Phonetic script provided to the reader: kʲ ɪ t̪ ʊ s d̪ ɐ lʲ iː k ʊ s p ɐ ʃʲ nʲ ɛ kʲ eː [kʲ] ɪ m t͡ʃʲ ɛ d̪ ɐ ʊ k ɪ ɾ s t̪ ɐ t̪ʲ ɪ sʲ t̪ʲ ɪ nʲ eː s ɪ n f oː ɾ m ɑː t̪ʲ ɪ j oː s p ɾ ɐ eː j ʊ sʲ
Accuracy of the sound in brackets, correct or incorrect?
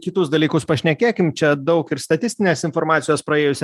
correct